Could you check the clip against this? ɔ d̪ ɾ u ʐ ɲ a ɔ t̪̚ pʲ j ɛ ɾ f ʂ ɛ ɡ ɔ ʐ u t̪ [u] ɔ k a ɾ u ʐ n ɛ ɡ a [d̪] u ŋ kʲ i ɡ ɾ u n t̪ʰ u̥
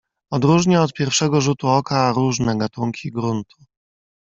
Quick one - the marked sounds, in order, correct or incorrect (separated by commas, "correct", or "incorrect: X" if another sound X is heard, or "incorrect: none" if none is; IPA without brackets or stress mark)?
correct, incorrect: t̪